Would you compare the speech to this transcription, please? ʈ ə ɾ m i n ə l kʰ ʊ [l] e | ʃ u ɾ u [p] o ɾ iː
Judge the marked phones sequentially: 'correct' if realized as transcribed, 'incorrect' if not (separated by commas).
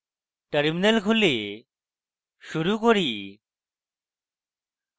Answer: correct, incorrect